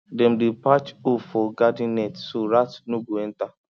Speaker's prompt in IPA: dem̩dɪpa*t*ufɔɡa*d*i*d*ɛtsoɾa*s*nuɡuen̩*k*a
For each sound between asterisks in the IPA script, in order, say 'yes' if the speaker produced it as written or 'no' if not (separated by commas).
no, yes, no, no, no